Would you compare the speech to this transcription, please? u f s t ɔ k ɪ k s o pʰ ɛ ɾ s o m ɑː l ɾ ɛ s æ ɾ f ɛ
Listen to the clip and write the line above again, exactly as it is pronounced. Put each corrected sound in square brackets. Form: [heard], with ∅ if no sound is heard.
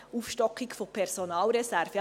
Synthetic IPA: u f [ʃ] t ɔ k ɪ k [f] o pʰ ɛ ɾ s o [n] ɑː l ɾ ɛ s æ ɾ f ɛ